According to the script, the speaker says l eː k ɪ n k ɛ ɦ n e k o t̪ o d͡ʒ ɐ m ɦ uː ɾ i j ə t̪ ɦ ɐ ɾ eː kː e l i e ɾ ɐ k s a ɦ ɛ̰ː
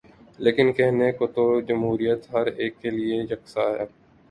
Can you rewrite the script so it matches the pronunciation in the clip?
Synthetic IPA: l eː k ɪ n k ɛ ɦ n e k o t̪ o d͡ʒ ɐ m ɦ uː ɾ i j ə t̪ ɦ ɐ ɾ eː kː e l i e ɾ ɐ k s a ɦ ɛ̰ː